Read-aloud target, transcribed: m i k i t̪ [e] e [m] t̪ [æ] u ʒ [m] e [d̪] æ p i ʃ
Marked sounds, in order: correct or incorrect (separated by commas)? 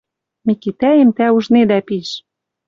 incorrect, correct, correct, incorrect, correct